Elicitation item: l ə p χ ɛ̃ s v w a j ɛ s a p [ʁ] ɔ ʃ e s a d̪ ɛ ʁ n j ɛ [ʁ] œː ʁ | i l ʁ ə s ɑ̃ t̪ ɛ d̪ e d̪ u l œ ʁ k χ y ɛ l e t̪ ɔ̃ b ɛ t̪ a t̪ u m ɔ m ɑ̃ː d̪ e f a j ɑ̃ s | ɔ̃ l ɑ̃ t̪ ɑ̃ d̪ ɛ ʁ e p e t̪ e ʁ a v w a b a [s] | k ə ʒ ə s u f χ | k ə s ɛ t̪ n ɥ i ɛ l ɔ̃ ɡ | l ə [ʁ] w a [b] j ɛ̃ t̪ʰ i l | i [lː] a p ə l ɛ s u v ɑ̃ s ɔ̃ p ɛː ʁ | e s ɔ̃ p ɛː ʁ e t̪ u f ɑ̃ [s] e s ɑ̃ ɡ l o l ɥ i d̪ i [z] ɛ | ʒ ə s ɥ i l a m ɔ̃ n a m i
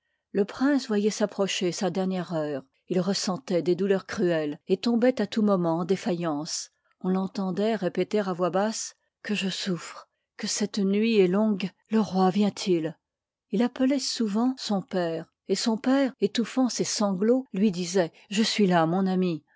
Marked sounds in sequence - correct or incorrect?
incorrect, correct, correct, correct, incorrect, incorrect, correct, correct

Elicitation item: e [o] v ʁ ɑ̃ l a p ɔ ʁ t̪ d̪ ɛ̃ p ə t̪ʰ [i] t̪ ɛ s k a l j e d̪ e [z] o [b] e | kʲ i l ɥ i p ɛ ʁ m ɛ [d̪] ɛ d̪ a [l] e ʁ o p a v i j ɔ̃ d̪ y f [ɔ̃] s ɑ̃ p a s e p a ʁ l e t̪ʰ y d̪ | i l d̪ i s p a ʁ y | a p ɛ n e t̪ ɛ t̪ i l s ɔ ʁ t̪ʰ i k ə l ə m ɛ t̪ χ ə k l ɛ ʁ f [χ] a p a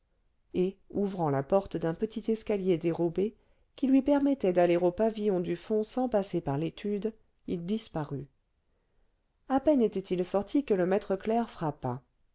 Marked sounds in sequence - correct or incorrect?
incorrect, correct, incorrect, correct, incorrect, correct, correct, correct

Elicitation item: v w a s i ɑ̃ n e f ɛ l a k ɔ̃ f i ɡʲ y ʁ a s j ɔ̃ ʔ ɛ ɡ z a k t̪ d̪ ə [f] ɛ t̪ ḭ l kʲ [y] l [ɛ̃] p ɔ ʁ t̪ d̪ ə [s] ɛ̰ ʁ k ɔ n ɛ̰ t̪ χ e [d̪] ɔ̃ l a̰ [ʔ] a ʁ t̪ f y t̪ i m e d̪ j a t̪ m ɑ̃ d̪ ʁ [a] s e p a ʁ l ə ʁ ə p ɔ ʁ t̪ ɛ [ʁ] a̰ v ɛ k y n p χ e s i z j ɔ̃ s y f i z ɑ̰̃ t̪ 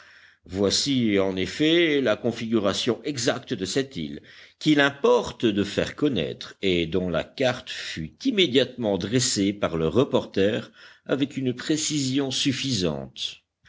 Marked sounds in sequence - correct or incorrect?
incorrect, incorrect, correct, incorrect, correct, incorrect, incorrect, correct

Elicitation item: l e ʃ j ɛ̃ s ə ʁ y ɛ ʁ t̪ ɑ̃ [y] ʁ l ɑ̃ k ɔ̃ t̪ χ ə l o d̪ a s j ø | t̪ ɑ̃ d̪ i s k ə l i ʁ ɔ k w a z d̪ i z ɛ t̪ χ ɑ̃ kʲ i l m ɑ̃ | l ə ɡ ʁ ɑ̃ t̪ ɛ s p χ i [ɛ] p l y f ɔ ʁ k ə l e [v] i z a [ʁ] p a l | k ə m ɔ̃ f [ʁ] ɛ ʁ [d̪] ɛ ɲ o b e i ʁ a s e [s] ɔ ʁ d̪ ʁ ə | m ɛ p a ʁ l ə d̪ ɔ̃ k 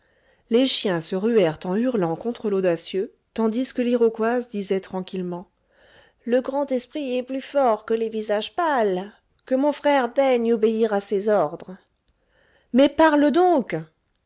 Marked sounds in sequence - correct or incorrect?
correct, correct, correct, incorrect, incorrect, correct, incorrect

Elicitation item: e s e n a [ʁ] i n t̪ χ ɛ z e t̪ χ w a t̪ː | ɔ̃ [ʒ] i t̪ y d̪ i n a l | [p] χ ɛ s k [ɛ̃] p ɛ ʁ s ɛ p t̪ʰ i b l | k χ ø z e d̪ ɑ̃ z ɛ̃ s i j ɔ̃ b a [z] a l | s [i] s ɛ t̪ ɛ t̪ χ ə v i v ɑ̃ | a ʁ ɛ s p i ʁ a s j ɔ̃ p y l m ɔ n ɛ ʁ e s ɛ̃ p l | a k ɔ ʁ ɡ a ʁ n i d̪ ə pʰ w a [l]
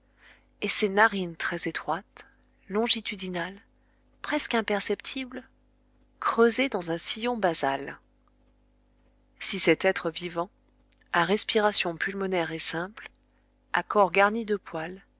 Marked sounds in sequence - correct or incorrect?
correct, correct, correct, correct, correct, correct, correct

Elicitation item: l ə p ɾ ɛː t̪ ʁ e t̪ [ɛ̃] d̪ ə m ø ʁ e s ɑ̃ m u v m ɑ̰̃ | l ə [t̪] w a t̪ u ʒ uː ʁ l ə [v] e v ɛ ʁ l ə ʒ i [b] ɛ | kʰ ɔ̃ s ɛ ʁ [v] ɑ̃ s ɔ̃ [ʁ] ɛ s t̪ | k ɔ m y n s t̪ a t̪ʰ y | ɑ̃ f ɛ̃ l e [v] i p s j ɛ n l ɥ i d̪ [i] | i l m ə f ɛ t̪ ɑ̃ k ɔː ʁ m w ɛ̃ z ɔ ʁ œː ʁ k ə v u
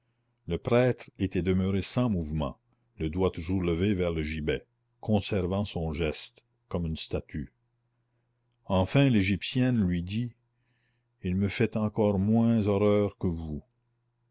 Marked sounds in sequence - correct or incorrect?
incorrect, incorrect, correct, correct, correct, incorrect, incorrect, correct

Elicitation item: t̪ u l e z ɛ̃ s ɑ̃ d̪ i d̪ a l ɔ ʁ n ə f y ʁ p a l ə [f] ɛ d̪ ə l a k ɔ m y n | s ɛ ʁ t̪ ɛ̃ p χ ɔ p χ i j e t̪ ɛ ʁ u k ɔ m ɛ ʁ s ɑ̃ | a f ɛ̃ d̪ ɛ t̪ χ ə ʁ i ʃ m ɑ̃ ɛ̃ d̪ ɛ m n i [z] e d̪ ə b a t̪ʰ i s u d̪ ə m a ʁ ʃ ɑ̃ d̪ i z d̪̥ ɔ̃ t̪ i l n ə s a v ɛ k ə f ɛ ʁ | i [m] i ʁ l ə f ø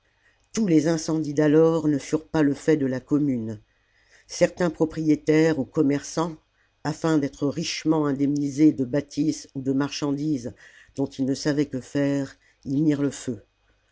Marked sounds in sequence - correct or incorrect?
correct, correct, correct

